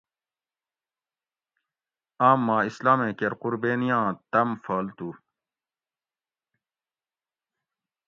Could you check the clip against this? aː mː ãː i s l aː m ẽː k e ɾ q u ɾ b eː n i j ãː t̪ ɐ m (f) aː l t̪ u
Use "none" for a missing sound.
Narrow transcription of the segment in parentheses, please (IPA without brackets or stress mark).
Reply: f